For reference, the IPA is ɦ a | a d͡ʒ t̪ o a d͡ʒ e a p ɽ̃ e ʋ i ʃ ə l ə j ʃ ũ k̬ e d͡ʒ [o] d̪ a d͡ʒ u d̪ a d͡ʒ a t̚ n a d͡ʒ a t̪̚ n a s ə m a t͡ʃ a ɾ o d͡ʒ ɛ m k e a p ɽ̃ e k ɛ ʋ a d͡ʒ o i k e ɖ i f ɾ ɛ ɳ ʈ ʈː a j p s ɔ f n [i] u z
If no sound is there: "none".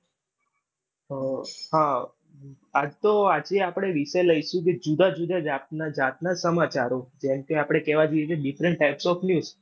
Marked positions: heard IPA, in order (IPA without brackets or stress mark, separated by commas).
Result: u, j